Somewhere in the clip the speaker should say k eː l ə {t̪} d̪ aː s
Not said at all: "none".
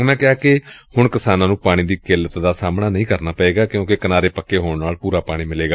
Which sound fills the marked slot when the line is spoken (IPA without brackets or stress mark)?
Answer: t̪